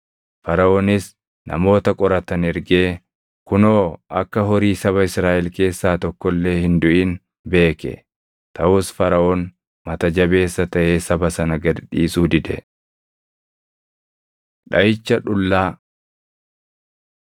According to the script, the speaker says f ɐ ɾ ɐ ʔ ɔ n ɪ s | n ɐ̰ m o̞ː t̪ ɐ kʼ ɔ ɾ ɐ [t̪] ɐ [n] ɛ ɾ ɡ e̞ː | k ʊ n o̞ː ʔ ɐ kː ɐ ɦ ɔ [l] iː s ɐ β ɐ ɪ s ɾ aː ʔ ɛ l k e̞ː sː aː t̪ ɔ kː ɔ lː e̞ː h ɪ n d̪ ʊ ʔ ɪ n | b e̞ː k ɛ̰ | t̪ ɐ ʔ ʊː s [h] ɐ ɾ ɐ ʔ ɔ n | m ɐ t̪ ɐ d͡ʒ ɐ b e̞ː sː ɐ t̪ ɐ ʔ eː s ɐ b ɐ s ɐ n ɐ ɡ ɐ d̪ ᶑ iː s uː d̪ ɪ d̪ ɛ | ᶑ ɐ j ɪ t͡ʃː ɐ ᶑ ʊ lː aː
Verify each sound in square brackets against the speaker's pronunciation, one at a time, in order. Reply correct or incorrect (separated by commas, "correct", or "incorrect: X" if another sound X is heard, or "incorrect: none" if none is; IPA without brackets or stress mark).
correct, correct, incorrect: ɾ, incorrect: f